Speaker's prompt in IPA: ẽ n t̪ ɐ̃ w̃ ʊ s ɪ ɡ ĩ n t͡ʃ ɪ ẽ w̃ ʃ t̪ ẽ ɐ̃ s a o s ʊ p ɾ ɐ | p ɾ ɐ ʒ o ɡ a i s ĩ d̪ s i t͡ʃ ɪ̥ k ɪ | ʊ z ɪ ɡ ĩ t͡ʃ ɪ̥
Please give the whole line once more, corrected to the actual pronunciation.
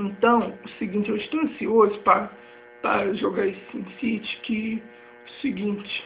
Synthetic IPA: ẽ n t̪ ɐ̃ w̃ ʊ s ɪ ɡ ĩ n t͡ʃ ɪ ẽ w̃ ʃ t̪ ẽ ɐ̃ s i o z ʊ p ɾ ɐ | p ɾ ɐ ʒ o ɡ a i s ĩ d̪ s i t͡ʃ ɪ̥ k ɪ | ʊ s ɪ ɡ ĩ t͡ʃ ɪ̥

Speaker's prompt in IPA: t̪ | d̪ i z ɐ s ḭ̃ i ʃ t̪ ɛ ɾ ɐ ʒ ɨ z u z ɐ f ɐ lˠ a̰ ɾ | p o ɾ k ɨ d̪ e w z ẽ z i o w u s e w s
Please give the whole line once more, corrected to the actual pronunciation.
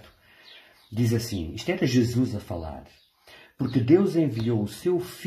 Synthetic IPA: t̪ | d̪ i z ɐ s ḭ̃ i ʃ t̪ ɛ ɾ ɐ ʒ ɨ z u z ɐ f ɐ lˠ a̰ ɾ | p u ɾ k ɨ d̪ e w z ẽ v i o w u s e w f

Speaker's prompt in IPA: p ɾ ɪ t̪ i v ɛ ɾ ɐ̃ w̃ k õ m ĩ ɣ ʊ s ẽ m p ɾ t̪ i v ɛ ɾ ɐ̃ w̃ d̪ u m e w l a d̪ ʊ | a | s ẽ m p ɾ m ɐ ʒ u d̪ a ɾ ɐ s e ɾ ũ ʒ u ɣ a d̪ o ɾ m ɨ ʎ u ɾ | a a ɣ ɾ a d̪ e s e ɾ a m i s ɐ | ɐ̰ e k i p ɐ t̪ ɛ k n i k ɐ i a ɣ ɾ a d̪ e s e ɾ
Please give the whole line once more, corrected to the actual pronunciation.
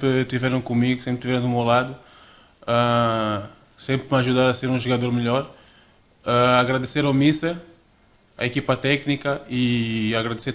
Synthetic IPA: p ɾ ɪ t̪ i v ɛ ɾ ɐ̃ w̃ k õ m i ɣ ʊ s ẽ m p ɾ t̪ i v ɛ ɾ ɐ̃ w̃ d̪ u m e w l a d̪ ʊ | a | s ẽ m p ɾ m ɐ ʒ u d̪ a ɾ ɐ s e ɾ ũ ʒ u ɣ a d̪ o ɾ m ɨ ʎ ɔ ɾ | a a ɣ ɾ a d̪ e s e ɾ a m i s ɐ | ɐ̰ e k i p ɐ t̪ ɛ k n i k ɐ i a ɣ ɾ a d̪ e s e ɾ

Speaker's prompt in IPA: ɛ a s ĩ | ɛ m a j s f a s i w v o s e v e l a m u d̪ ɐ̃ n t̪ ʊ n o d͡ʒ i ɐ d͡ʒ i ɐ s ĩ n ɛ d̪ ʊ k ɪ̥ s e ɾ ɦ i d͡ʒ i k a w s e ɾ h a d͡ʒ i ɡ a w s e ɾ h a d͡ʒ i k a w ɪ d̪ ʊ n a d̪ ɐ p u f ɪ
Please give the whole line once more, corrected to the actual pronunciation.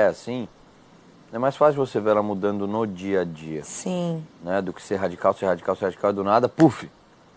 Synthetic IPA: ɛ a s ĩ | ɛ m a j s f a s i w v o s e v e l a m u d̪ ɐ̃ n d̪ ʊ n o d͡ʒ i ɐ d͡ʒ i ɐ s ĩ n ɛ d̪ ʊ k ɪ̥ s e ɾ ɦ a d͡ʒ i k a w s e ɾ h a d͡ʒ i k a w s e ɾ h a d͡ʒ i k a w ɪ d̪ ʊ n a d̪ ɐ p u f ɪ

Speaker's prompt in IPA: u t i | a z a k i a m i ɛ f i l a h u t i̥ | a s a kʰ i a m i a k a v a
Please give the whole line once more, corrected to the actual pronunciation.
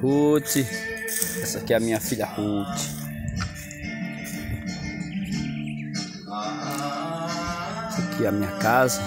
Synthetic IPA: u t i | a s a k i a m i a f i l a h u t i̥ | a s a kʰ i a m i a k a z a

